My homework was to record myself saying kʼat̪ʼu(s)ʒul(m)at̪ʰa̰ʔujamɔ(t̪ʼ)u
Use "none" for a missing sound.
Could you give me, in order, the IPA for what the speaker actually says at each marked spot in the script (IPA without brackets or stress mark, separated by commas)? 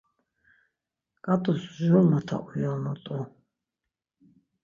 s, m, t̪ʼ